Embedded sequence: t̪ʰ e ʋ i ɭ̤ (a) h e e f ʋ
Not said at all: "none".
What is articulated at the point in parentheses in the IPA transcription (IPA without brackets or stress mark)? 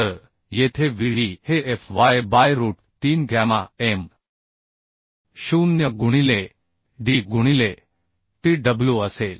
i